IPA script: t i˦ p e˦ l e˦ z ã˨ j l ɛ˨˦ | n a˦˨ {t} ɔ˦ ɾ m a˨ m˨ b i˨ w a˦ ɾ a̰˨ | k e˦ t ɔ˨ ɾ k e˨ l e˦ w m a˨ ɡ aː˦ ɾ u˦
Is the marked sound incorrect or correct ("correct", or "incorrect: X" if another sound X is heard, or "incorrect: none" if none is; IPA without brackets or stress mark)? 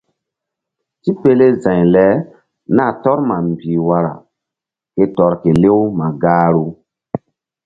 correct